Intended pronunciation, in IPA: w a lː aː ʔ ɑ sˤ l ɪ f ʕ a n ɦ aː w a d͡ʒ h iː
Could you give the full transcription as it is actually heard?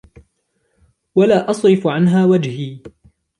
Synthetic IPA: w a l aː ʔ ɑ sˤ ɾ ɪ f ʕ a n ɦ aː w a d͡ʒ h iː